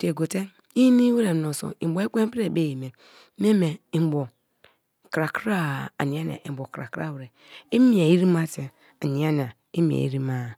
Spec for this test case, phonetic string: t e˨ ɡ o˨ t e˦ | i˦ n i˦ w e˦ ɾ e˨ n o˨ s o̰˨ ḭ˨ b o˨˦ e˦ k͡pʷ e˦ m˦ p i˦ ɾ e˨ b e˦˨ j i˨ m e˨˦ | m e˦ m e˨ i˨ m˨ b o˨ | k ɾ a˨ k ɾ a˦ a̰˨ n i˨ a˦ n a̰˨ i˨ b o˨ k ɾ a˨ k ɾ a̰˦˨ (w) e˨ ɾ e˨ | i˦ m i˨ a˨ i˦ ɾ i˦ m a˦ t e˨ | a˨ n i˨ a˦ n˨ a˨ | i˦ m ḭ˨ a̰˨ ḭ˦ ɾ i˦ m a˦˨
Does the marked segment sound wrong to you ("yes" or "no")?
no